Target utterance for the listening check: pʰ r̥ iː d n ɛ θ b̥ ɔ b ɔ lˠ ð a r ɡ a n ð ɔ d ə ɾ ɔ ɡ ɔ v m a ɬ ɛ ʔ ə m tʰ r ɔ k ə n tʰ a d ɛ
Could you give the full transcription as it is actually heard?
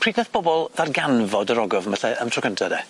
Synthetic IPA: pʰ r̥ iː d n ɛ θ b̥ ɔ b ɔ lˠ ð a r ɡ a n v ɔ d ə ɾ ɔ ɡ ɔ v m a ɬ ɛ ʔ ə m tʰ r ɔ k ə n tʰ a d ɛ